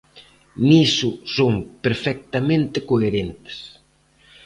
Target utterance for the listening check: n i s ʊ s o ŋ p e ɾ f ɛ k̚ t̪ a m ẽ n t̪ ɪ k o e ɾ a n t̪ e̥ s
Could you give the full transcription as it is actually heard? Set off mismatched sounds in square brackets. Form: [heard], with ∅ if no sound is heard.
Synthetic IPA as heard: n i s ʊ s o ŋ p e ɾ f ɛ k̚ t̪ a m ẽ n t̪ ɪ k o e ɾ [e] n t̪ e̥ s